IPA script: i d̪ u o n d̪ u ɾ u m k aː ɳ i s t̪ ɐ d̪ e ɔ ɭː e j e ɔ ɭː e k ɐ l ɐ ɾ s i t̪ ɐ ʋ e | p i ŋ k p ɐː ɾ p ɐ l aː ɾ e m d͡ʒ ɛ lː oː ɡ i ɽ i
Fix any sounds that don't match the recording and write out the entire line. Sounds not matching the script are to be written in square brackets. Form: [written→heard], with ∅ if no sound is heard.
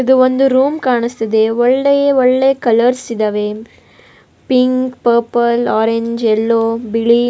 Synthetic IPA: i d̪ u o n d̪ u ɾ [u→uː] m k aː ɳ i s t̪ ɐ d̪ e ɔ ɭː e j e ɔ ɭː e k ɐ l ɐ ɾ s i [t̪→d̪] ɐ ʋ e | p i ŋ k p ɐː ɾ p ɐ l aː ɾ e [m→ɲ] d͡ʒ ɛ lː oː [ɡ→b] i [ɽ→ɭ] i

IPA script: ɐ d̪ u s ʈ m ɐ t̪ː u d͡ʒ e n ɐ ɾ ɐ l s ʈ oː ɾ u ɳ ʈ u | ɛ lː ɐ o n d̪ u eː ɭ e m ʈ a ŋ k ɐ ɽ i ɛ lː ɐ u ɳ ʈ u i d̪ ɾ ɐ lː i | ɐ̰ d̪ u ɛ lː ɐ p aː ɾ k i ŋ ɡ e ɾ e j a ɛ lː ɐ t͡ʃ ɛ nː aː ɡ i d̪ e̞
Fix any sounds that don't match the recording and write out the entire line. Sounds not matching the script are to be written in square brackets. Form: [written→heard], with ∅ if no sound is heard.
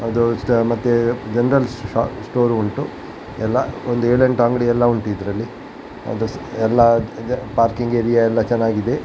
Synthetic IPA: ɐ d̪ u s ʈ m ɐ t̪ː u d͡ʒ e n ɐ ɾ ɐ l s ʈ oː ɾ u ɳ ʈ u | ɛ lː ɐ o n d̪ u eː ɭ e [m→ɳ] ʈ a ŋ [k→ɡ] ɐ ɽ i ɛ lː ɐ u ɳ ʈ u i d̪ ɾ ɐ lː i | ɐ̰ d̪ u ɛ lː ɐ p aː ɾ k i ŋ ɡ e ɾ [e→i] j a ɛ lː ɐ t͡ʃ ɛ nː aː ɡ i d̪ e̞

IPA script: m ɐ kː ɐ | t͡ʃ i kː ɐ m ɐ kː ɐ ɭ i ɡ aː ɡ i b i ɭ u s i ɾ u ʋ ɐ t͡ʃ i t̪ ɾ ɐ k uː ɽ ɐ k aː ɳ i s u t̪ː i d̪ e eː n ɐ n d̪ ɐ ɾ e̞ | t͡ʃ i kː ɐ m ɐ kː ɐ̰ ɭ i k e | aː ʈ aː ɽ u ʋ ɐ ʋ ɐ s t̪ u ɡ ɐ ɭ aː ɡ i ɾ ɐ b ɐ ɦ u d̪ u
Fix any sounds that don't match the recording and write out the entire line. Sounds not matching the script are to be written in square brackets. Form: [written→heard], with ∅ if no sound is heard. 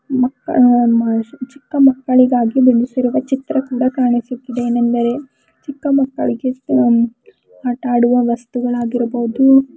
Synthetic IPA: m ɐ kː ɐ | t͡ʃ i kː ɐ m ɐ kː ɐ ɭ i ɡ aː ɡ i b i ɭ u s i ɾ u ʋ ɐ t͡ʃ i t̪ ɾ ɐ k uː ɽ ɐ k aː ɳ i s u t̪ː i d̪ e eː n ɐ n d̪ ɐ ɾ e̞ | t͡ʃ i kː ɐ m ɐ kː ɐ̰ ɭ i [k→ɡ] e | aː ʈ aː ɽ u ʋ ɐ ʋ ɐ s t̪ u ɡ ɐ ɭ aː ɡ i ɾ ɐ b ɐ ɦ u d̪ u

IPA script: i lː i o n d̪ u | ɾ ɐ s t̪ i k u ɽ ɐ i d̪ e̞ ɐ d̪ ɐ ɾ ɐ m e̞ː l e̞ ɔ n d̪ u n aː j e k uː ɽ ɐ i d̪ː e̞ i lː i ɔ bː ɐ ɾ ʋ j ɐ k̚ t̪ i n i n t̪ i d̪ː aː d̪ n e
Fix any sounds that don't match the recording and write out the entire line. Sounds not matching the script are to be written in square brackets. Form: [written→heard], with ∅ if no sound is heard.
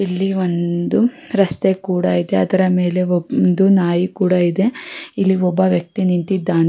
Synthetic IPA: i lː i o n d̪ u | ɾ ɐ s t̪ [i→e] k [u→uː] ɽ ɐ i d̪ e̞ ɐ d̪ ɐ ɾ ɐ m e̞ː l e̞ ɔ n d̪ u n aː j [e→i] k uː ɽ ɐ i [d̪ː→d̪] e̞ i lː i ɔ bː ɐ [ɾ→∅] ʋ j ɐ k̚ t̪ i n i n t̪ i d̪ː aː [d̪→∅] n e

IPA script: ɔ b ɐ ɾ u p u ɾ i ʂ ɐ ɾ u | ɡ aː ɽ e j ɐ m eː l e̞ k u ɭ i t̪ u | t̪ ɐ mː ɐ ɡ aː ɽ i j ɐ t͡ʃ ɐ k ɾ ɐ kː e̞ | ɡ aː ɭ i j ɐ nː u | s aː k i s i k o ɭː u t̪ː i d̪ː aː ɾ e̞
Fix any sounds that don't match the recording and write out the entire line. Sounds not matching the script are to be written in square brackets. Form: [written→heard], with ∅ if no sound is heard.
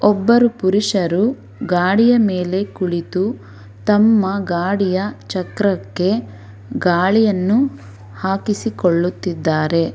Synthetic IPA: ɔ [b→bː] ɐ ɾ u p u ɾ i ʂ ɐ ɾ u | ɡ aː ɽ [e→i] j ɐ m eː l e̞ k u ɭ i t̪ u | t̪ ɐ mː ɐ ɡ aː ɽ i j ɐ t͡ʃ ɐ k ɾ ɐ kː e̞ | ɡ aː ɭ i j ɐ nː u | [s→h] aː k i s i k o ɭː u t̪ː i d̪ː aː ɾ e̞

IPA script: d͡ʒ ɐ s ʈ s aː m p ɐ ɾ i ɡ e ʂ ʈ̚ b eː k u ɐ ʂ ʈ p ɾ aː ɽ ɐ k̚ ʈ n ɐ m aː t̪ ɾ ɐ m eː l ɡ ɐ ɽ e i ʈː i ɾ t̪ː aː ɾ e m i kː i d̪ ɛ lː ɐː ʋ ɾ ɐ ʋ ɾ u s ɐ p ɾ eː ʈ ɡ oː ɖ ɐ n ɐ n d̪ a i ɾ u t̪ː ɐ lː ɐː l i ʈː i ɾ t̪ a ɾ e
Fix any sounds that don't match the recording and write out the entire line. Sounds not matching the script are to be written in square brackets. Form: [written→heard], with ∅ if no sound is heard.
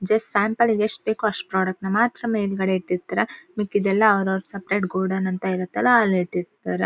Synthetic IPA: d͡ʒ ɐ s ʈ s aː m p ɐ [ɾ→l] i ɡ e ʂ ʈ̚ b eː k u ɐ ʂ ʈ p ɾ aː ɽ ɐ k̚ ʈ n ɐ m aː t̪ ɾ ɐ m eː l ɡ ɐ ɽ e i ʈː i ɾ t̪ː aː ɾ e m i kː i d̪ ɛ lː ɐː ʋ ɾ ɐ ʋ ɾ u s ɐ p ɾ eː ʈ ɡ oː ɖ ɐ n ɐ n [d̪→t̪] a i ɾ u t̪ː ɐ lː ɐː l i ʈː i ɾ t̪ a ɾ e

